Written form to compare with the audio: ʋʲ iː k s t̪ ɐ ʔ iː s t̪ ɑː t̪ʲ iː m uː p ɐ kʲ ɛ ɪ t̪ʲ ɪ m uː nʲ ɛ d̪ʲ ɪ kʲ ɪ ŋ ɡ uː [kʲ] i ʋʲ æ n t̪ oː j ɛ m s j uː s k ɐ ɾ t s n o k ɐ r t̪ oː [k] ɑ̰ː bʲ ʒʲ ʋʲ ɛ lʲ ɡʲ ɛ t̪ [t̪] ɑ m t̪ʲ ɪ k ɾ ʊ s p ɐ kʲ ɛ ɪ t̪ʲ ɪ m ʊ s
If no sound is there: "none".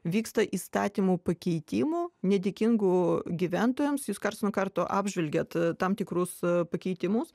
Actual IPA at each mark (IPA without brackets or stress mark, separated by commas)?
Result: ɡʲ, ʔ, t̪